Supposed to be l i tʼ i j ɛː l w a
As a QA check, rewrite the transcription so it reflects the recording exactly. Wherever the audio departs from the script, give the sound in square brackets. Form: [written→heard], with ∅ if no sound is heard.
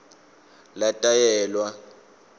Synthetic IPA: l [i→a] tʼ [i→a] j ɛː l w a